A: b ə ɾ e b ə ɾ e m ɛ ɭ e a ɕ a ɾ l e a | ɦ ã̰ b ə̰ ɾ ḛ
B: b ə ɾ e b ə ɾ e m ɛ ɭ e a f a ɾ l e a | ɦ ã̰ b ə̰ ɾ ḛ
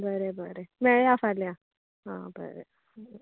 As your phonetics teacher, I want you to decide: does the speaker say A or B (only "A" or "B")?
B